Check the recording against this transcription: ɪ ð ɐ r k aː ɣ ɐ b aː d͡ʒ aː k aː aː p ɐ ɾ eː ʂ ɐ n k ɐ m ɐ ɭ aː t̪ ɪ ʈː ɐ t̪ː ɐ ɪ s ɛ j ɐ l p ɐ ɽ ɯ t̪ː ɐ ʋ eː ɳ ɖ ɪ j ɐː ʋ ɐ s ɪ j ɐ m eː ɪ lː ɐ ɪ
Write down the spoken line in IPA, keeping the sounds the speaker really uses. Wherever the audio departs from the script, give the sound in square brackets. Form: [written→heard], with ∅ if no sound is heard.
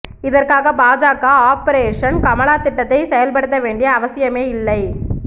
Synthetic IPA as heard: ɪ ð ɐ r k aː ɣ ɐ b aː d͡ʒ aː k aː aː p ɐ ɾ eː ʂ ɐ n k ɐ m ɐ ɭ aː t̪ ɪ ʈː ɐ t̪ː ɐ ɪ s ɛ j ɐ l p ɐ ɽ ɯ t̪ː ɐ ʋ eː ɳ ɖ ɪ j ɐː ʋ ɐ s ɪ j ɐ m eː ɪ lː ɐ ɪ